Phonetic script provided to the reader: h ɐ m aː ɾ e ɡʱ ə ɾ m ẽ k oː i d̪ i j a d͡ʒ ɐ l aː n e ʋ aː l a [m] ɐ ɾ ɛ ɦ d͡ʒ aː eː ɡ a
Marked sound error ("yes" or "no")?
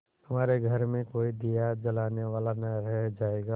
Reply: yes